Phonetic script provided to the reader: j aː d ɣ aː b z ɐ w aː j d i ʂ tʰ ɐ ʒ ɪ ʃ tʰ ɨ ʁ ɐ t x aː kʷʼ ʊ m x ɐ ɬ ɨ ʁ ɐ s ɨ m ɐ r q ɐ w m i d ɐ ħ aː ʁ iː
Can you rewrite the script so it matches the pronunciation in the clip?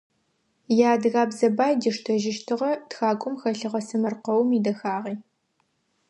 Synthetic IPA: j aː d ɣ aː b z ɐ b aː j d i ʂ tʰ ɐ ʒ ɪ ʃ tʰ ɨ ʁ ɐ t x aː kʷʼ ʊ m x ɐ ɬ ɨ ʁ ɐ s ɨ m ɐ r q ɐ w m i d ɐ x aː ʁ iː